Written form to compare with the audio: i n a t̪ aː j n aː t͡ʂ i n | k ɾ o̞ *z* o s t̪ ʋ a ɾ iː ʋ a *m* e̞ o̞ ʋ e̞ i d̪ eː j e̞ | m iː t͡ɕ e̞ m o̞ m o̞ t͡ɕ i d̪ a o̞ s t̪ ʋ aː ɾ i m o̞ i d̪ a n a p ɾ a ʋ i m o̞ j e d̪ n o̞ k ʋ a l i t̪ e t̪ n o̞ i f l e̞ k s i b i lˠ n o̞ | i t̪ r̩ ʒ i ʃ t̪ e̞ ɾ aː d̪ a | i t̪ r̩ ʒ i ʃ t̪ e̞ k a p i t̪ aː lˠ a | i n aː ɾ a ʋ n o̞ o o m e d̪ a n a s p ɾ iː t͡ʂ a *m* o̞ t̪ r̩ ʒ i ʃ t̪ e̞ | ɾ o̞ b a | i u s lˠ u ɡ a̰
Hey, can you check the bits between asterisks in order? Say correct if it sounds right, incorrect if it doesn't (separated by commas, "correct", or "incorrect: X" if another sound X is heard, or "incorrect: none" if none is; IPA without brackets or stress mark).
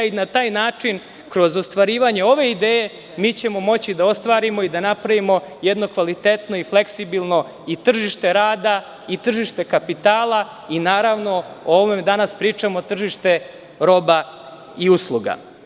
correct, incorrect: ɲ, correct